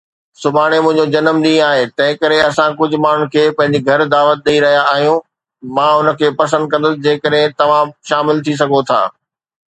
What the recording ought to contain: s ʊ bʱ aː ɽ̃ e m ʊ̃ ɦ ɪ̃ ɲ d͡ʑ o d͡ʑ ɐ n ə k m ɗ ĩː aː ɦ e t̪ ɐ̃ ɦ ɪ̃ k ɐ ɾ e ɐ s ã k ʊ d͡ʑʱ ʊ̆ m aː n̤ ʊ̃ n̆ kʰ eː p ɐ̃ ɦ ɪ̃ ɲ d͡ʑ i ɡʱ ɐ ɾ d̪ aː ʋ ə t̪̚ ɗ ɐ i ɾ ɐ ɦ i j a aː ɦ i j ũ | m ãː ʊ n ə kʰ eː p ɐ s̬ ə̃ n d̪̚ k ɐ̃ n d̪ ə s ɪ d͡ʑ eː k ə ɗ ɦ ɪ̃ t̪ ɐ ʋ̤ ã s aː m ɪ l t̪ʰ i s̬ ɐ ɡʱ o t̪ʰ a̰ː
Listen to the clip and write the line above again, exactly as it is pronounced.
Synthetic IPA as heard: s ʊ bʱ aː ɽ̃ e m ʊ̃ ɦ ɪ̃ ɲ d͡ʑ o d͡ʑ ɐ n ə m ɗ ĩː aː ɦ e t̪ ɐ̃ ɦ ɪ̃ k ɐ ɾ e ɐ s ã k ʊ d͡ʑʱ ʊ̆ m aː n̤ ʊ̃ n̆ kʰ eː p ɐ̃ ɦ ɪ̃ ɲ d͡ʑ i ɡʱ ɐ ɾ d̪ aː ʋ ə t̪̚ ɗ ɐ i ɾ ɐ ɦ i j a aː ɦ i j ũ | m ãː ʊ n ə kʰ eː p ɐ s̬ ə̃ n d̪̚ k ɐ̃ n d̪ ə s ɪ d͡ʑ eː k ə ɗ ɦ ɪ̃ t̪ ɐ ʋ̤ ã ʃ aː m ɪ l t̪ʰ i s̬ ɐ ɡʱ o t̪ʰ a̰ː